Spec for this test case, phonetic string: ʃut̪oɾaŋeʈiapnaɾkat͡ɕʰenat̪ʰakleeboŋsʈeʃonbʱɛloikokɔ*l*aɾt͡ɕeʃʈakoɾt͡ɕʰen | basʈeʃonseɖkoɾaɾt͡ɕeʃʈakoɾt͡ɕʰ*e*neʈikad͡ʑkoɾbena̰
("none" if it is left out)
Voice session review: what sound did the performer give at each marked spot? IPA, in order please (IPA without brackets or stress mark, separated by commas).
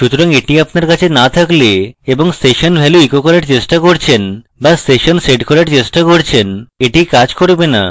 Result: ɾ, e